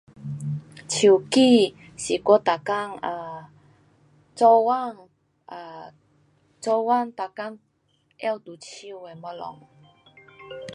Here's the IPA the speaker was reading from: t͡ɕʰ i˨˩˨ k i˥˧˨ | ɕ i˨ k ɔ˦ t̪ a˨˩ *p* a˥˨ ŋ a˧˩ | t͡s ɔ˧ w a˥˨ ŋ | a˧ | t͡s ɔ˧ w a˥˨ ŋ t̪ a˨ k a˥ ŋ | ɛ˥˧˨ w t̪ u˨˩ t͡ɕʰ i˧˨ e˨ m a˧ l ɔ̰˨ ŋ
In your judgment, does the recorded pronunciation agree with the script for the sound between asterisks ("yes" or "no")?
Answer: no